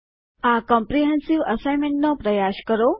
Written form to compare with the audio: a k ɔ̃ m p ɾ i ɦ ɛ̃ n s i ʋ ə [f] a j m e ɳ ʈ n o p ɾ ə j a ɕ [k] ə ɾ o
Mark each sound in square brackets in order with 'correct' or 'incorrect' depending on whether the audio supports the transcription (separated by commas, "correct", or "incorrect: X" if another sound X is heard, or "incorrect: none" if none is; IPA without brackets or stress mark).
incorrect: s, correct